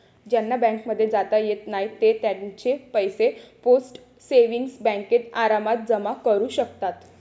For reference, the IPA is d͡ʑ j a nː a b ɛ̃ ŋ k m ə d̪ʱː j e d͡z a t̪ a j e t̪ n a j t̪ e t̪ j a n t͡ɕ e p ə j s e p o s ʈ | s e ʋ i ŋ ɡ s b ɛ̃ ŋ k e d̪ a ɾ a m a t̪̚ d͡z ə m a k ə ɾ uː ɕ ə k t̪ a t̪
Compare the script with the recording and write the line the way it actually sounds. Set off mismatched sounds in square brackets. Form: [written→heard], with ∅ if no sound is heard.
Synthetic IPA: d͡ʑ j a nː a b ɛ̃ ŋ k m ə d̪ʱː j e d͡z a t̪ a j e t̪ n a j t̪ e t̪ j a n t͡ɕ e p ə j s e p o s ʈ | s e ʋ i ŋ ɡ s b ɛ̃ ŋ k e [d̪→t̪] a ɾ a m a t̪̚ d͡z ə m a k ə ɾ uː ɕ ə k t̪ a t̪